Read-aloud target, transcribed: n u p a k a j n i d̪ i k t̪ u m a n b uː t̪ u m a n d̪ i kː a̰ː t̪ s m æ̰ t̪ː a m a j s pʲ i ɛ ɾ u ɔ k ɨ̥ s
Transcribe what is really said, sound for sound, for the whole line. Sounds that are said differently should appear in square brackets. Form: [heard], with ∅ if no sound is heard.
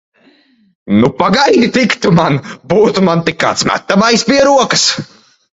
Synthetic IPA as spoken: n u p a [ɡ] a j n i [t̪] i k t̪ u m a n b uː t̪ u m a n [t̪] i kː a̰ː t̪ s m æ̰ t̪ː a m a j s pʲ i ɛ ɾ u ɔ k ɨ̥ s